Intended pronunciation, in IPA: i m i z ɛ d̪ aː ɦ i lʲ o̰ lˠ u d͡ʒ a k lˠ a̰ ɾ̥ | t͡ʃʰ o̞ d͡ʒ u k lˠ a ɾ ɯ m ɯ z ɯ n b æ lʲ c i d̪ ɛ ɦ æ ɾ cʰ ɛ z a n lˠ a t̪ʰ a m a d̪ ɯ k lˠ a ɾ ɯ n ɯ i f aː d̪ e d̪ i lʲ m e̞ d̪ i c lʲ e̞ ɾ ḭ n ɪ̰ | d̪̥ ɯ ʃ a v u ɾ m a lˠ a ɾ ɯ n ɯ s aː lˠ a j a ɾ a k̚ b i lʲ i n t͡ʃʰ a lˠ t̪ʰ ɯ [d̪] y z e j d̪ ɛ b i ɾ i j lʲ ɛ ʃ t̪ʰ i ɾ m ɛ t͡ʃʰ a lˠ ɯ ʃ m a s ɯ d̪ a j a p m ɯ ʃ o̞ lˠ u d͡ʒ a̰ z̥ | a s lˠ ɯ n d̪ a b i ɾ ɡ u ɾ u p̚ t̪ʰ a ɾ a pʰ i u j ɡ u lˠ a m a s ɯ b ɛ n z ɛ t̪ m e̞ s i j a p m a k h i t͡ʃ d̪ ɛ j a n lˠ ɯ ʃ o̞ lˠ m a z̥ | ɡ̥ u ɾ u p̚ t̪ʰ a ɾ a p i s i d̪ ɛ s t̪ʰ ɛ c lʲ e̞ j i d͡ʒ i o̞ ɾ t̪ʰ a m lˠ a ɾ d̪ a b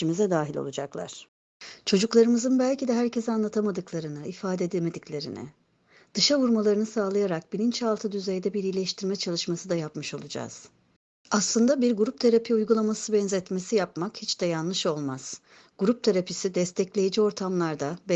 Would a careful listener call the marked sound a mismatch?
no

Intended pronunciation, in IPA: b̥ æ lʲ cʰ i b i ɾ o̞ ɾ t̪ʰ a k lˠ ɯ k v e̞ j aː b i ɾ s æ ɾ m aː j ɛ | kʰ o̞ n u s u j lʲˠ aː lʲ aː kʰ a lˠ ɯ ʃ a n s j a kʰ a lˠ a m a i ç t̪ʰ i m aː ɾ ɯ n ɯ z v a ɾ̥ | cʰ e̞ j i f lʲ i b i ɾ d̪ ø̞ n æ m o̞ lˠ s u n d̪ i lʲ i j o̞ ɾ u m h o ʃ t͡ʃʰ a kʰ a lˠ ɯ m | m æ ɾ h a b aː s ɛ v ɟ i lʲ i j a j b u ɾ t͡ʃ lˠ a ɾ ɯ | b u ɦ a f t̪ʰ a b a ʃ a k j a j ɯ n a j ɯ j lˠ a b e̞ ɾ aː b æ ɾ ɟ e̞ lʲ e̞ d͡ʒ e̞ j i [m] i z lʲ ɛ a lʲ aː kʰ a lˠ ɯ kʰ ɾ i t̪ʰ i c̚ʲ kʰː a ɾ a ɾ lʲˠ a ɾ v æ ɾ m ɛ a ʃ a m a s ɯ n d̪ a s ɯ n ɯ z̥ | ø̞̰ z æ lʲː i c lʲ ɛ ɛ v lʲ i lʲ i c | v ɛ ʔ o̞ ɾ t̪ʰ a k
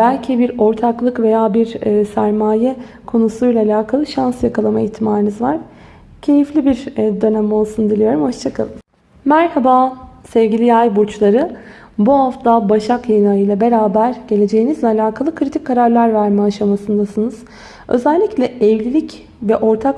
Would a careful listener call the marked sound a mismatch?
yes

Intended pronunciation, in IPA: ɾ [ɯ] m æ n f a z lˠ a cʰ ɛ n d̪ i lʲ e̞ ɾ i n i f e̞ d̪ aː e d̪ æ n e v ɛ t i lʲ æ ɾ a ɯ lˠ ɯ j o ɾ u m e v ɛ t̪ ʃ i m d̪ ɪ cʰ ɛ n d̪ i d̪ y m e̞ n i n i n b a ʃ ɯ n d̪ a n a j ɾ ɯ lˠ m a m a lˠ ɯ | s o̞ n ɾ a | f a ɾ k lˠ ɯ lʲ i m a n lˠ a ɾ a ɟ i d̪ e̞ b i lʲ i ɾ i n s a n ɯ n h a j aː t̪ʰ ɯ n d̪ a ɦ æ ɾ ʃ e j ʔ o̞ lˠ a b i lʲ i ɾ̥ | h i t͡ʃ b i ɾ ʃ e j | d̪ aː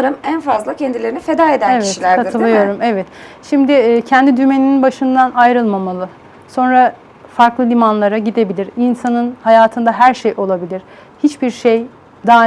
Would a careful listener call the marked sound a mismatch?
no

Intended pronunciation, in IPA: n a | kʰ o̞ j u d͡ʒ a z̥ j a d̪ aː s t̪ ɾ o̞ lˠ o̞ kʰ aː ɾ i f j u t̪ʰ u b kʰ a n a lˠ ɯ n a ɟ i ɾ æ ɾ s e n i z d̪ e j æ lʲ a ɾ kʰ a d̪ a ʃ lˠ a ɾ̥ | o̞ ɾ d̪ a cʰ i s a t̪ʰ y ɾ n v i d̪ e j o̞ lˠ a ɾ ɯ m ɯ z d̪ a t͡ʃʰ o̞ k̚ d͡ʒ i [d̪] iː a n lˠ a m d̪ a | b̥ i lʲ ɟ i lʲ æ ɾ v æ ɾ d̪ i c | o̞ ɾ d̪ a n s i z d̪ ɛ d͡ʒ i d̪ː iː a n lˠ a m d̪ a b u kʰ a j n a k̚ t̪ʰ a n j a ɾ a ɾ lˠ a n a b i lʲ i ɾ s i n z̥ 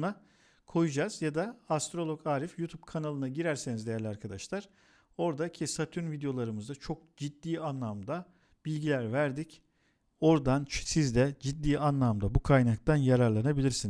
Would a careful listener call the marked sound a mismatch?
yes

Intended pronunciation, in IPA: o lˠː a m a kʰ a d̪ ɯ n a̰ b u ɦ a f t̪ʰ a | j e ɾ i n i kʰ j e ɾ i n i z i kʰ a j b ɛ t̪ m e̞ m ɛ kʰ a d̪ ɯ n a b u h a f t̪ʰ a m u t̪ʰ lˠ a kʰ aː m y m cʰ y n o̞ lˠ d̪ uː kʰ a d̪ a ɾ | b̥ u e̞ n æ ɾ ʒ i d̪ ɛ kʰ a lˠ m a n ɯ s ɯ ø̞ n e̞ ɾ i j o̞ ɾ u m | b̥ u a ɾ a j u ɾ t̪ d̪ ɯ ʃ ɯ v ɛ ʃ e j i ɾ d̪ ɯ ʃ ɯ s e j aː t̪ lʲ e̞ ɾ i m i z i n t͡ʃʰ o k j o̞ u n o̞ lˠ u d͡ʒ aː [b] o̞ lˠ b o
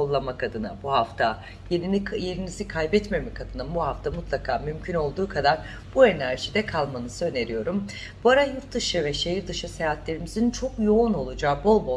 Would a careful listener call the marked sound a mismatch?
no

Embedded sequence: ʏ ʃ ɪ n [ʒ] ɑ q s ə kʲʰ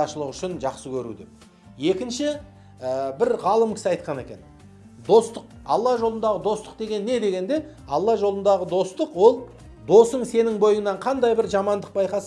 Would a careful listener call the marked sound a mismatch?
no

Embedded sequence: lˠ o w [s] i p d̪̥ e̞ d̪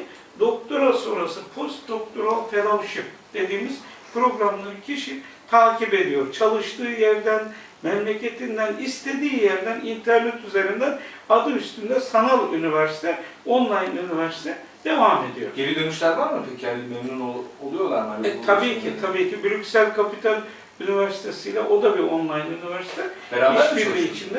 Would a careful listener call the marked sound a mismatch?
yes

